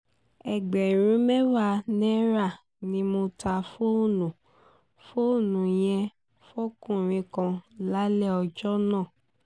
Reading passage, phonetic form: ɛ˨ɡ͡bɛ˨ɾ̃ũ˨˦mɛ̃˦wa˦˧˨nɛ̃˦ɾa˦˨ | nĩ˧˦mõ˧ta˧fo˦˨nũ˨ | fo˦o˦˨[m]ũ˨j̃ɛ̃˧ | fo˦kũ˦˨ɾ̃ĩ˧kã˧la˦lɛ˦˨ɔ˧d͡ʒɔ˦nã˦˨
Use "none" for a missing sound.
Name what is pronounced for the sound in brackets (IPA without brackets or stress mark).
n